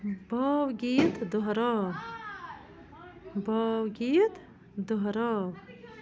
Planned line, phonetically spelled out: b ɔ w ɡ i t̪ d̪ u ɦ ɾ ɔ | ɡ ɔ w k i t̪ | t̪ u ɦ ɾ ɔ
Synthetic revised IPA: b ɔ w ɡ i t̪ d̪ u ɦ ɾ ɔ | b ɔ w ɡ i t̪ | d̪ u ɦ ɾ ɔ